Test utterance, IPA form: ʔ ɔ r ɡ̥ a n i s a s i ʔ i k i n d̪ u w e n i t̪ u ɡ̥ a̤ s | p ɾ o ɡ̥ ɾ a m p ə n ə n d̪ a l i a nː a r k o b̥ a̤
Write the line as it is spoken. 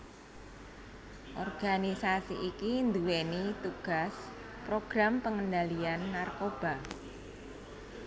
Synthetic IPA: ʔ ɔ r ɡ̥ a n i s a s i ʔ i k i n d̪ u w e n i t̪ u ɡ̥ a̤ s | p ɾ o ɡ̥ ɾ a m p ə ŋ ə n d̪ a l i a nː a r k o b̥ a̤